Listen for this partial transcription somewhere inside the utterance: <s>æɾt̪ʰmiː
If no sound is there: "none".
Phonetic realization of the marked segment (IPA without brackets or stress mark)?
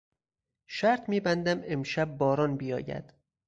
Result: ʃ